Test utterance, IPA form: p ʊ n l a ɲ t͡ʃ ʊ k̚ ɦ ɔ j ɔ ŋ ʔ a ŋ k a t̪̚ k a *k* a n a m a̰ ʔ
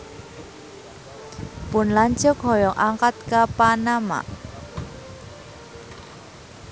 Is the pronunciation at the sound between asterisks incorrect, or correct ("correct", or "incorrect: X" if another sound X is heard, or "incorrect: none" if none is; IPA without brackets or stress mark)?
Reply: incorrect: p